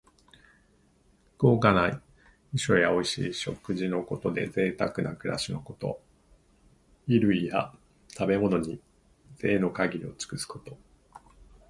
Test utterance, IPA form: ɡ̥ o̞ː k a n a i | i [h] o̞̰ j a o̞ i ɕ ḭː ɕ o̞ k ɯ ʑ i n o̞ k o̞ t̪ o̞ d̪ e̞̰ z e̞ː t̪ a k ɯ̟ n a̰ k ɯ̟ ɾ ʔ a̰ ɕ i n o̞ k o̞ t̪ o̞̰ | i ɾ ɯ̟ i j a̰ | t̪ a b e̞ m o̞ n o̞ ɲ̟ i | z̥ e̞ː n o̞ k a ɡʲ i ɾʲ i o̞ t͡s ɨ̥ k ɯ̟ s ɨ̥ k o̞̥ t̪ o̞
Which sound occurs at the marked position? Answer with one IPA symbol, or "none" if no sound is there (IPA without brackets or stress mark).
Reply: ɕ